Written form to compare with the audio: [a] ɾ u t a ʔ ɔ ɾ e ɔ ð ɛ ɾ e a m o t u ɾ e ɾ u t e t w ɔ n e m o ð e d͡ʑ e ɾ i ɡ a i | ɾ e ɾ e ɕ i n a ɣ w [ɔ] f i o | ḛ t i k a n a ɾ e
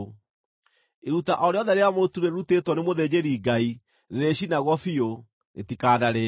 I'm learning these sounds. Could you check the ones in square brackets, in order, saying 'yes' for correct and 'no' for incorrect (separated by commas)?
no, yes